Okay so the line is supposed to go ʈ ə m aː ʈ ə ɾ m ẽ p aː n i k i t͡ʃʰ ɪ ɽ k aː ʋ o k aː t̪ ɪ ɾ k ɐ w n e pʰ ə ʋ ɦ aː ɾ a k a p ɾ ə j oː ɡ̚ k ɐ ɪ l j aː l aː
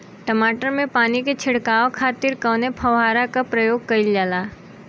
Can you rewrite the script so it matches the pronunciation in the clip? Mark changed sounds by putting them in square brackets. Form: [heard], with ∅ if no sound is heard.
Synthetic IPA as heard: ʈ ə m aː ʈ ə ɾ m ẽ p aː n i k [e] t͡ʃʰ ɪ ɽ k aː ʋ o [kʰ] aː t̪ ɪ ɾ k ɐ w n e pʰ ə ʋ ɦ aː ɾ a k a p ɾ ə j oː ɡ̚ k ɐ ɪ l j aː l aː